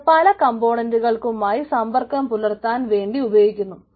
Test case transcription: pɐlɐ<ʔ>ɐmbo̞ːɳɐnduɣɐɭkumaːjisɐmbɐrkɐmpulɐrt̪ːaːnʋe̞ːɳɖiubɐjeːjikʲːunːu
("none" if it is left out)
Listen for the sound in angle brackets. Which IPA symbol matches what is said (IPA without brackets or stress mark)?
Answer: k